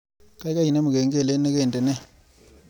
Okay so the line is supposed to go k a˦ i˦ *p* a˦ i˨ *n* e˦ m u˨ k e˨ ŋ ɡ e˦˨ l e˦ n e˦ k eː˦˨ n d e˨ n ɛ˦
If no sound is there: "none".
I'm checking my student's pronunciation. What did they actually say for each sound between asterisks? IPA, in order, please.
k, n

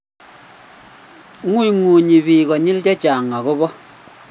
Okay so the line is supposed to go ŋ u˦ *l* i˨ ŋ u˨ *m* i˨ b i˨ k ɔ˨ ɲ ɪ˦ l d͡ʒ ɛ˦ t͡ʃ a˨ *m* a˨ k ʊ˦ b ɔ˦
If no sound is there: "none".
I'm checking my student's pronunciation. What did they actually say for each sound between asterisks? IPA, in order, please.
none, ɲ, ŋ

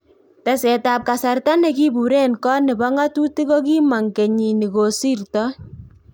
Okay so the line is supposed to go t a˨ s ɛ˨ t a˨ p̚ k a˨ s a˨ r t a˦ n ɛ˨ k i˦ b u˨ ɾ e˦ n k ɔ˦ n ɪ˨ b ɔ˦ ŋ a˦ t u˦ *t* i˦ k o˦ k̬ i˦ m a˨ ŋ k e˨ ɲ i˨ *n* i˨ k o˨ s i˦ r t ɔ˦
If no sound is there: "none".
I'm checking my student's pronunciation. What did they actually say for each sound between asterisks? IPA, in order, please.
t, n

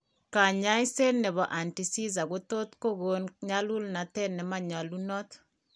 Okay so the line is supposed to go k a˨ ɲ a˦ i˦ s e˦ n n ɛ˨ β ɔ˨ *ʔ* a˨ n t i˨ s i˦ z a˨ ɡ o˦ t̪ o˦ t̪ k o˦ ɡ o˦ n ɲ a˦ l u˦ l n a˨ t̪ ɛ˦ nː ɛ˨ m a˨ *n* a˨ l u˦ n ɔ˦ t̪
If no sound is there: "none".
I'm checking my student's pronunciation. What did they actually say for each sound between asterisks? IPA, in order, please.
ʔ, ɲ

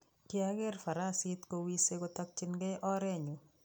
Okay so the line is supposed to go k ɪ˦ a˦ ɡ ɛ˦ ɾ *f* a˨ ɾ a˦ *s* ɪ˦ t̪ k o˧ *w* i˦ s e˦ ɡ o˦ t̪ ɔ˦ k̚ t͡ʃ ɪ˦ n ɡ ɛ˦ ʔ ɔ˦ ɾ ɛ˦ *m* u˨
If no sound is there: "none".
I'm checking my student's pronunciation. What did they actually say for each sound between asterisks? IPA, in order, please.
f, s, w, ɲ

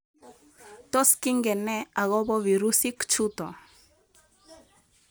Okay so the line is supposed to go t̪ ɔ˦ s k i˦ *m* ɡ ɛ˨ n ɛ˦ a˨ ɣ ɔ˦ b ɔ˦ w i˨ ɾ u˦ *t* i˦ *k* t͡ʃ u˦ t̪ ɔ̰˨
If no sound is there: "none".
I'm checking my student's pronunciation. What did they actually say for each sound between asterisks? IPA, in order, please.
ŋ, s, k

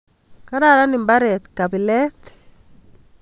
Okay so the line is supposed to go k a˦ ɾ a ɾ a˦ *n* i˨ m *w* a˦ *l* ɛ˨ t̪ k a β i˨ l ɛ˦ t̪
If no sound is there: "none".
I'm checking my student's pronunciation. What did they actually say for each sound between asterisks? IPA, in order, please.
n, b, ɾ

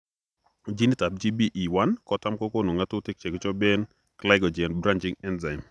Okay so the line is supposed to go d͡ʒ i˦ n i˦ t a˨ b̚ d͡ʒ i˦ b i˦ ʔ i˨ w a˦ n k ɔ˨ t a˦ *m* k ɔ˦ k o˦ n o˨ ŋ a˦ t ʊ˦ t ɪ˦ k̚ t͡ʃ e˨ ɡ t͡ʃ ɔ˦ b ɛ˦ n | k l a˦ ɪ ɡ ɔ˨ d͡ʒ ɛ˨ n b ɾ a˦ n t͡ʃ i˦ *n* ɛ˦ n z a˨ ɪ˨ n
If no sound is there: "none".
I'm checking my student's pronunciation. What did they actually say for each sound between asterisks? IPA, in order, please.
m, ŋ

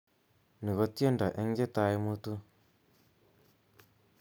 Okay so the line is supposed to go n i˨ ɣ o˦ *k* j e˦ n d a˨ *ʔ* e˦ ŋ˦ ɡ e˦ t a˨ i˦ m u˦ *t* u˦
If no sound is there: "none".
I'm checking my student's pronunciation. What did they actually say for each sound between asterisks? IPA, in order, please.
t, ʔ, t

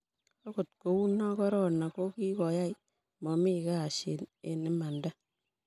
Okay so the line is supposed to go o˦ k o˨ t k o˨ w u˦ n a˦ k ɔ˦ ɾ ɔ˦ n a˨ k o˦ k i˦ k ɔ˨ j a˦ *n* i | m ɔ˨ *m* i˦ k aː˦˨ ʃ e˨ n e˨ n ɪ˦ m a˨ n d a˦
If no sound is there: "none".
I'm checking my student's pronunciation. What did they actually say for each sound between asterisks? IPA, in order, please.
none, m

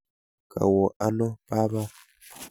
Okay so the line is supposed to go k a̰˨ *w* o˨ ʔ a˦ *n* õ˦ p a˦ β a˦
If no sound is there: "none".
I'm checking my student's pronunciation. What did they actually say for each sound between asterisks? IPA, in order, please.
w, n

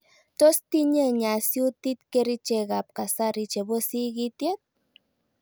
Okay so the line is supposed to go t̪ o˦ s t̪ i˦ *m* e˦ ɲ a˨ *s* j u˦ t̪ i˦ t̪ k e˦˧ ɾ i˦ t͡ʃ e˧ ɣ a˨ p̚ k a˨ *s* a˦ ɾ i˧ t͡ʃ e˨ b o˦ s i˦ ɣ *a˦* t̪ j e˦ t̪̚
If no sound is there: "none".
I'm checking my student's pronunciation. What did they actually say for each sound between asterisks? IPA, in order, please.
ɲ, s, s, i˦

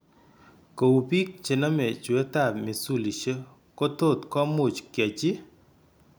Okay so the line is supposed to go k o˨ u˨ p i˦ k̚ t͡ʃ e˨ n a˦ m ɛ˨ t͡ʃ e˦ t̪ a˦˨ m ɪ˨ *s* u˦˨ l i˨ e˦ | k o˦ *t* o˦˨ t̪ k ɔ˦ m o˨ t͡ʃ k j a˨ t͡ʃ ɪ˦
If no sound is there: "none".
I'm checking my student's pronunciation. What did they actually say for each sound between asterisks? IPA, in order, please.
s, t

